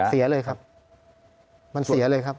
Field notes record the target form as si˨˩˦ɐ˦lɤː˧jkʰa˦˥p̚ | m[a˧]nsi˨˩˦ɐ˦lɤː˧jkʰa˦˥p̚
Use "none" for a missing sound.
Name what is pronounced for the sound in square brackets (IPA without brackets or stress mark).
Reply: a˧